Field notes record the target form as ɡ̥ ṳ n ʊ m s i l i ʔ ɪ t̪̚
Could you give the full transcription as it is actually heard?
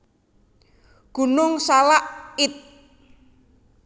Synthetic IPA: ɡ̥ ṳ n ʊ ŋ s a l a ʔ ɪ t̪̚